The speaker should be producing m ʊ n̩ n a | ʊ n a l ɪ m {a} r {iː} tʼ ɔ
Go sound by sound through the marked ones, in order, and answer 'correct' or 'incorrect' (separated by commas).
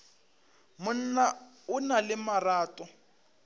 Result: correct, incorrect